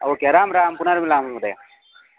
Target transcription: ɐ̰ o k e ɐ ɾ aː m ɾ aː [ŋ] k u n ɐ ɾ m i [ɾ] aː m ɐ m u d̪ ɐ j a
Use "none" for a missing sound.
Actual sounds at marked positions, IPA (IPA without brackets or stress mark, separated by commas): m, l